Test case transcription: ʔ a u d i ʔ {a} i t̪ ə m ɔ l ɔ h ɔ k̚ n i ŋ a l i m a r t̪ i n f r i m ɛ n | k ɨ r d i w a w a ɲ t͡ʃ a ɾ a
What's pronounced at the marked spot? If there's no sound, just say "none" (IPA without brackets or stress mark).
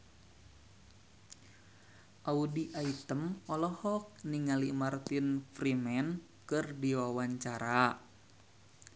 a